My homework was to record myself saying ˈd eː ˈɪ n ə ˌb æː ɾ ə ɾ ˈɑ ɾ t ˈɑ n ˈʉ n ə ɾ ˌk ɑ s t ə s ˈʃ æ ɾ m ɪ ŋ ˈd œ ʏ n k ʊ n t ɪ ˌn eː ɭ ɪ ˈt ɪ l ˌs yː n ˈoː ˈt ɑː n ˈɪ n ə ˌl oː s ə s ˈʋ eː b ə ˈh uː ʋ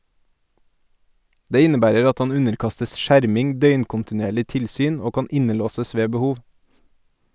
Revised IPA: ˈd eː ˈɪ n ə ˌb æː ɾ ə ɾ ˈɑ t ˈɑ n ˈʉ n ə ɾ ˌk ɑ s t ə s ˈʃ æ ɾ m ɪ ŋ ˈd œ ʏ n k ʊ n t ɪ ˌn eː ɭ ɪ ˈt ɪ l ˌs yː n ˈoː ˈk ɑː n ˈɪ n ə ˌl oː s ə s ˈʋ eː b ə ˈh uː ʋ

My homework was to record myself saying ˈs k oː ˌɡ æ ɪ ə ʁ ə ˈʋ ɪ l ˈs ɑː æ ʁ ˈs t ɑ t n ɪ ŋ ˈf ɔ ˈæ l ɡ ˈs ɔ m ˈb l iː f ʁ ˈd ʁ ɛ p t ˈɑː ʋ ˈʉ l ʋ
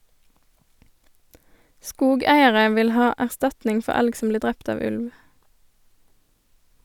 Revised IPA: ˈs k uː ˌɡ æ ɪ ə ʁ ə ˈʋ ɪ l ˈh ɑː æ ʁ ˈs t ɑ t n ɪ ŋ ˈf ɔ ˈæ l ɡ ˈs ɔ m ˈb l iː ʁ ˈd ʁ ɛ p t ˈɑː ʋ ˈʉ l ʋ

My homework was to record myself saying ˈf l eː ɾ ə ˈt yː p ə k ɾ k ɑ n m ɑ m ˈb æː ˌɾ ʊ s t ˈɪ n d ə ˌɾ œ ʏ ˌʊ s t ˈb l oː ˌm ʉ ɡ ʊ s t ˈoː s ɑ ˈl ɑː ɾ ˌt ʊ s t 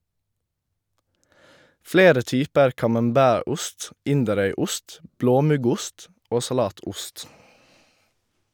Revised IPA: ˈf l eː ɾ ə ˈt yː p ə ɾ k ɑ m ɑ m ˈb æː ˌɾ ʊ s t ˈɪ n d ə ˌɾ œ ʏ ˌʊ s t ˈb l oː ˌm ʉ ɡ ʊ s t ˈoː s ɑ ˈl ɑː ˌt ʊ s t

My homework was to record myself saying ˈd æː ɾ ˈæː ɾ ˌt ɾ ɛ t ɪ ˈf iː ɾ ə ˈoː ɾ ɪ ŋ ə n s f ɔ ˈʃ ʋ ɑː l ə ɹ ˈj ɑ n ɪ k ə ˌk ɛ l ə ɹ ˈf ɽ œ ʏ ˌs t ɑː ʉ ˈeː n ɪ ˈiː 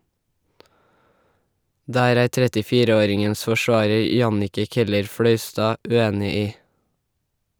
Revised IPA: ˈd æː ɾ ˈæː ɾ ˌt ɾ ɛ t ɪ ˈf iː ɾ ə ˈoː ɾ ɪ ŋ ə n s f ɔ ˈʃ ʋ ɑː ɹ ə ɹ ˈj ɑ n ɪ k ə ˌk ɛ l ə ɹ ˈf ɽ œ ʏ ˌs t ɑː ʉ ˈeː n ɪ ˈiː

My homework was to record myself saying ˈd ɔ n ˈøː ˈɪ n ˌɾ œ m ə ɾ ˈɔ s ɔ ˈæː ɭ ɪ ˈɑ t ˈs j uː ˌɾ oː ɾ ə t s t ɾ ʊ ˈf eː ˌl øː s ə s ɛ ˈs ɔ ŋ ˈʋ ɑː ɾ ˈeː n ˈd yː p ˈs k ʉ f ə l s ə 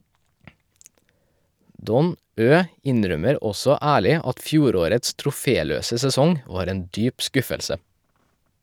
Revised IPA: ˈd ɔ n ˈøː ˈɪ n ˌɾ œ m ə ɾ ˈɔ s ɔ ˈæː ɭ ɪ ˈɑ t ˈf j uː ˌɾ oː ɾ ə t s t ɾ ʊ ˈf eː ˌl øː s ə s ɛ ˈs ɔ ŋ ˈʋ ɑː ɾ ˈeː n ˈd yː p ˈs k ʉ f ə l s ə

